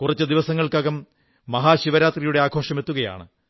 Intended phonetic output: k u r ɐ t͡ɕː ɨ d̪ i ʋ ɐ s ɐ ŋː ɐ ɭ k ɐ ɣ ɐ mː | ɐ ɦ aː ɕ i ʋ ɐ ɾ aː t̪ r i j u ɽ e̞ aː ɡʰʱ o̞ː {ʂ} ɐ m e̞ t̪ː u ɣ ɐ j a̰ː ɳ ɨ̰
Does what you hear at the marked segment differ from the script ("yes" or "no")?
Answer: no